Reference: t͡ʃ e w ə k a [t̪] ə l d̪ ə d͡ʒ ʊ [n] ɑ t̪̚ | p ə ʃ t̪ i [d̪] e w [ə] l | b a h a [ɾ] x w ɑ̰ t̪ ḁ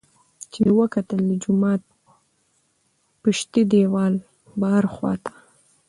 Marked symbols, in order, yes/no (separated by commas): yes, no, yes, no, yes